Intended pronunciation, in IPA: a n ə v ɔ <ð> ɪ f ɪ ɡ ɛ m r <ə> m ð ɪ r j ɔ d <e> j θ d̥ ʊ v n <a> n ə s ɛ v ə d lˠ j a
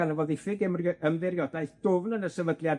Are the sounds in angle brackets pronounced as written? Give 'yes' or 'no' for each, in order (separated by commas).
yes, yes, no, no